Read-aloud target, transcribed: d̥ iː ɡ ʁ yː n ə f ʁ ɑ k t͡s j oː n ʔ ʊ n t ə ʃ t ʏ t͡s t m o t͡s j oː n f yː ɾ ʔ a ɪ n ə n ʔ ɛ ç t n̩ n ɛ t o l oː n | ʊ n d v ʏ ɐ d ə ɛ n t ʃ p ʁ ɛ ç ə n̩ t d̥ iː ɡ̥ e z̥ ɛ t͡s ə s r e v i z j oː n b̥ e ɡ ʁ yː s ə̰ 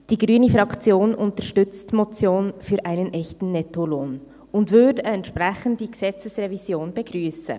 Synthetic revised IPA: d̥ iː ɡ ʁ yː n ə f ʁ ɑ k t͡s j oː n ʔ ʊ n t ə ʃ t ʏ t͡s t m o t͡s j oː n f yː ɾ ʔ a ɪ n ə n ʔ ɛ ç t n̩ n ɛ t o l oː n | ʊ n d v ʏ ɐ d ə ɛ n t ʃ p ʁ ɛ ç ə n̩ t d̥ iː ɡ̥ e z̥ ɛ t͡s ə s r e v i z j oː n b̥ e ɡ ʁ yː s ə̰